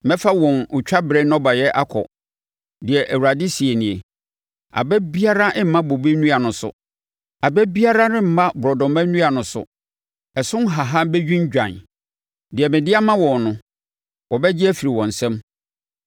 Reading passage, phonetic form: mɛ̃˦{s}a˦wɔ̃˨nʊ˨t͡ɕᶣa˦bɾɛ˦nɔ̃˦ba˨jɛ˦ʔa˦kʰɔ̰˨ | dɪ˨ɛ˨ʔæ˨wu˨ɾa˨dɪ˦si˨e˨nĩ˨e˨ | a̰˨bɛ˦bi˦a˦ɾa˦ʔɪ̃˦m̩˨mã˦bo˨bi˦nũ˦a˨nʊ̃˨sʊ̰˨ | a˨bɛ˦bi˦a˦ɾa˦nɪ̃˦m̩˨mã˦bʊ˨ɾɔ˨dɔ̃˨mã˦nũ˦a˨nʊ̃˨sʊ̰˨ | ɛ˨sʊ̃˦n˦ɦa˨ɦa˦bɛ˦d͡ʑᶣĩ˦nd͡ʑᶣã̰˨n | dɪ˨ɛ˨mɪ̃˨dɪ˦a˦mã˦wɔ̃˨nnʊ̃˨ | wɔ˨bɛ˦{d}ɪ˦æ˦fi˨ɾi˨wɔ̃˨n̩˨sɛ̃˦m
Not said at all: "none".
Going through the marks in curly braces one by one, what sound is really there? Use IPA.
f, d͡ʑ

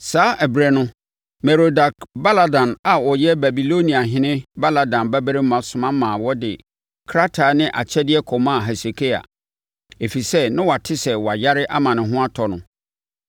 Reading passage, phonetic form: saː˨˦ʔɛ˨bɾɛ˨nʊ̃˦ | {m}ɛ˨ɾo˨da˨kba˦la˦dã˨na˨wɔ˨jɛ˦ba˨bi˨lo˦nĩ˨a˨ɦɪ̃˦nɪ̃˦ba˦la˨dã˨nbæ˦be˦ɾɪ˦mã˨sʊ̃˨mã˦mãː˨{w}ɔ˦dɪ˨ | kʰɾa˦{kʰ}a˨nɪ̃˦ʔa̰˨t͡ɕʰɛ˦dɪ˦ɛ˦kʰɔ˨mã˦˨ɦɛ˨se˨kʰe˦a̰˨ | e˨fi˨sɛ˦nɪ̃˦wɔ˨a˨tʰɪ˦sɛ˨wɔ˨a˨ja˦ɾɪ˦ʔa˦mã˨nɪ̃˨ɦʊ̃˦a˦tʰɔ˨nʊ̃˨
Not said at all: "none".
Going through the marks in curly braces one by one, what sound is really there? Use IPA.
m, w, tʰ

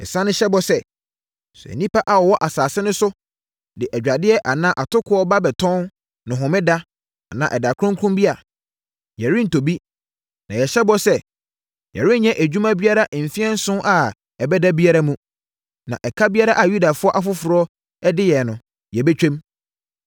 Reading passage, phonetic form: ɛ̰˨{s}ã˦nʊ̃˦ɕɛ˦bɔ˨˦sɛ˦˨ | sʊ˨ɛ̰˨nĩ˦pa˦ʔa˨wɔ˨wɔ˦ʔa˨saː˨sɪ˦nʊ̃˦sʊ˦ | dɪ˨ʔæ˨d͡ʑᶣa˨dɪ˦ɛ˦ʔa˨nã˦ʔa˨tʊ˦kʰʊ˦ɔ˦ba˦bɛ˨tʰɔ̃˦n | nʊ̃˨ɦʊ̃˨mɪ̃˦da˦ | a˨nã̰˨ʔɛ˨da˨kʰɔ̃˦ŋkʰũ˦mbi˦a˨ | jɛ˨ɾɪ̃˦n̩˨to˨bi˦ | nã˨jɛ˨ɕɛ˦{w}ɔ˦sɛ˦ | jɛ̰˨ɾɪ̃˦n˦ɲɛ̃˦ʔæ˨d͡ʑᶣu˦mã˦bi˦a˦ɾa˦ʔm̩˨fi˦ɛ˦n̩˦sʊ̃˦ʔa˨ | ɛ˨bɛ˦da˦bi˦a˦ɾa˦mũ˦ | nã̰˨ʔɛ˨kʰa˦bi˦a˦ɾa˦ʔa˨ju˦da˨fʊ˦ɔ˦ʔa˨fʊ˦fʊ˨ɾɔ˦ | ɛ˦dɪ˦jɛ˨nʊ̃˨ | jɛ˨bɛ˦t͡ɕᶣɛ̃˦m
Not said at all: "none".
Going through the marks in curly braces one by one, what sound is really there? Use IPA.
s, b

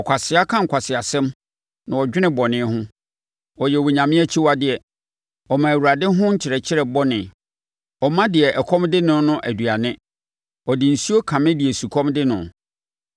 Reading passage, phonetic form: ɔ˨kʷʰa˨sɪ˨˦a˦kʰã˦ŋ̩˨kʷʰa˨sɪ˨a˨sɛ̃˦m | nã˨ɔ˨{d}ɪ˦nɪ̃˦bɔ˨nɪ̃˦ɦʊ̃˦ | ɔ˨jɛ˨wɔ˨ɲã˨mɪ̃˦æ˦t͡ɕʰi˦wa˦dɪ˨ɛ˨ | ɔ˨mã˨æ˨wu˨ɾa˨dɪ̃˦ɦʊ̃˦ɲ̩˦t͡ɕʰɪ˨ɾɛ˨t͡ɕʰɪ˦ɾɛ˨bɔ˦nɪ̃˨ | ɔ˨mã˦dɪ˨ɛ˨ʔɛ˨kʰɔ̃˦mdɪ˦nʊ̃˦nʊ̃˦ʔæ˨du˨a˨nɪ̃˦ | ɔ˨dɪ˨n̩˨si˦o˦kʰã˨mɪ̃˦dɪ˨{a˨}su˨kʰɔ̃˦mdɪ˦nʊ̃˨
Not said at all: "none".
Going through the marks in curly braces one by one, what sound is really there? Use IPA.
d͡ʑᶣ, ɛ˨

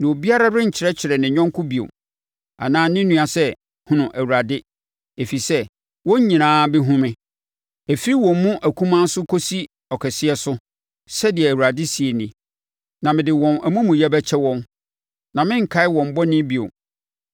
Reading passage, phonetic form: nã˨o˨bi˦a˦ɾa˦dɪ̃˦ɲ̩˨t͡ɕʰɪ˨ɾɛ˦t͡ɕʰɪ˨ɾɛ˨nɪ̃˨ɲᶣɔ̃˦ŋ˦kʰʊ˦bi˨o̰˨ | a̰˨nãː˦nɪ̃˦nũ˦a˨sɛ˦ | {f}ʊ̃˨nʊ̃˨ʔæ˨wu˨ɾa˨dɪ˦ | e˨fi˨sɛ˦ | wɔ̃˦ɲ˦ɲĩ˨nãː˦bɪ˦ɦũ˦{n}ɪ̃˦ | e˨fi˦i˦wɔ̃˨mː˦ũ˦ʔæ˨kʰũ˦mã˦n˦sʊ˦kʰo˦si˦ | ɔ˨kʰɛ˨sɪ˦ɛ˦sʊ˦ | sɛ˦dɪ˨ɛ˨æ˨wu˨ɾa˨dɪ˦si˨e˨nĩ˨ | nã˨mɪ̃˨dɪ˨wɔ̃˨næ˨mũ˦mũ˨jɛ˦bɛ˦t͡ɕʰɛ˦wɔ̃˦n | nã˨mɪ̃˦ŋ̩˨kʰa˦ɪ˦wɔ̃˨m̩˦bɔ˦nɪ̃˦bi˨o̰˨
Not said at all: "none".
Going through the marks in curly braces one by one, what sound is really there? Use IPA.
h, m

